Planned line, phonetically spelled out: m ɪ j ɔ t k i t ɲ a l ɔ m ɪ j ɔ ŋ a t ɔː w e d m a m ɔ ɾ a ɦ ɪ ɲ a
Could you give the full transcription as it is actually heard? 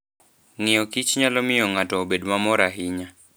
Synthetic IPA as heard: ŋ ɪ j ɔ k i t͡ʃ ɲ a l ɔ m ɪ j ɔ ŋ a t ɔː b e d m a m ɔ ɾ a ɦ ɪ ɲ a